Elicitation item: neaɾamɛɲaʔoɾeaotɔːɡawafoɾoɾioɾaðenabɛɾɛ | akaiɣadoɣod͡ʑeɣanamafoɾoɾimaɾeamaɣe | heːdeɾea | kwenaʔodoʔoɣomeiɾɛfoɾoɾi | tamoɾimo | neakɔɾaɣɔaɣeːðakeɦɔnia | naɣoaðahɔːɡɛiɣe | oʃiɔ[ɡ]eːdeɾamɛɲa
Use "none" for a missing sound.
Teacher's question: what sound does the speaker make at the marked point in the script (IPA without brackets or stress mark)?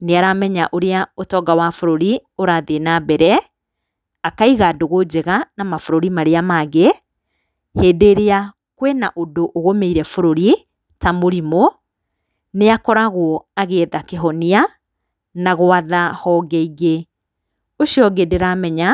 ɡ